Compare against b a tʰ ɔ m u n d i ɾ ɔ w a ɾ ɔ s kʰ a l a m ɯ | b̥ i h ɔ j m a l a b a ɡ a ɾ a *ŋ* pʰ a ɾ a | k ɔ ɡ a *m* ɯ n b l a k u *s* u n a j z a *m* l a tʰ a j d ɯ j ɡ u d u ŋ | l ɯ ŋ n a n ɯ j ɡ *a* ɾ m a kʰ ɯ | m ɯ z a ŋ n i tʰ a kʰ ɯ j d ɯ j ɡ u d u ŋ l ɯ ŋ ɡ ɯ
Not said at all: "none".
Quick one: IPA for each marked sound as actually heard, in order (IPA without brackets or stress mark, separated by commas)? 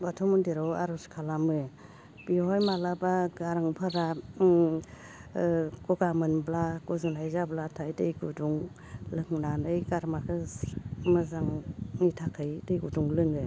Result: ŋ, m, z, b, a